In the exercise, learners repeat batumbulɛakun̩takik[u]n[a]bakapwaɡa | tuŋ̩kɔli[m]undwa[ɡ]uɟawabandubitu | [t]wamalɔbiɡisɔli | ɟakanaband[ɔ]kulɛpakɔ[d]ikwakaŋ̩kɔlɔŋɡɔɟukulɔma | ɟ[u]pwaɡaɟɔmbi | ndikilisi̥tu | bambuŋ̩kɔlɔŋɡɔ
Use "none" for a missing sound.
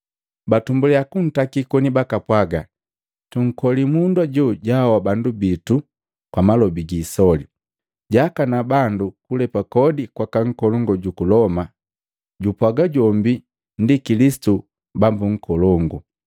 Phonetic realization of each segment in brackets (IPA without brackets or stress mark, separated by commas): ɔ, i, m, ɟ, k, u, d, u